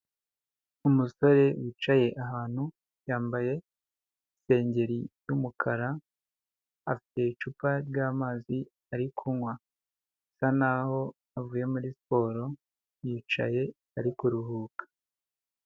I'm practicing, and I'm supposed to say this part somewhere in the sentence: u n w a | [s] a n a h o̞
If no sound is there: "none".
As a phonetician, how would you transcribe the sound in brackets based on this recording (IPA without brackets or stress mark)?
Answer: s